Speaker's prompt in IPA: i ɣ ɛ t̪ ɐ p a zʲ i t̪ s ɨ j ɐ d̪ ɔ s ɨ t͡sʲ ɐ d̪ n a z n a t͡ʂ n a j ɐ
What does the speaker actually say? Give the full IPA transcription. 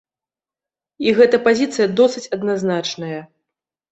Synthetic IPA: i ɣ ɛ t̪ ɐ p a zʲ i t̪ s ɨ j ɐ d̪ ɔ s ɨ t͡sʲ ɐ d̪ n a z n a t͡ʂ n ɐ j ɐ